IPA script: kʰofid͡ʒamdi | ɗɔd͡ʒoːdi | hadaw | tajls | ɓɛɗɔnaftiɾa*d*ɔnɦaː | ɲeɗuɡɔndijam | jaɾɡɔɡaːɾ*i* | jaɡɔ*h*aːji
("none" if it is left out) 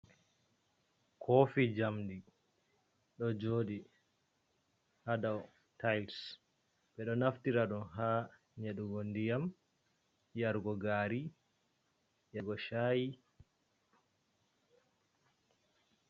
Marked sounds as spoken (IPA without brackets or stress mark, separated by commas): ɗ, i, ʃ